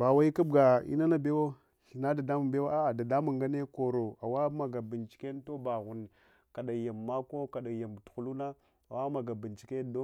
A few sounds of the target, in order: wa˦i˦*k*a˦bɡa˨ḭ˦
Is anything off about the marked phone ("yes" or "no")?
no